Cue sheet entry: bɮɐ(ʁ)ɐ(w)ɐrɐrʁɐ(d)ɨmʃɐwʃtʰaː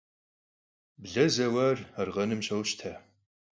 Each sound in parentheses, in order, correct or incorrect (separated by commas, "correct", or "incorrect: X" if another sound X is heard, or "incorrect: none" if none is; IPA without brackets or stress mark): incorrect: z, correct, incorrect: n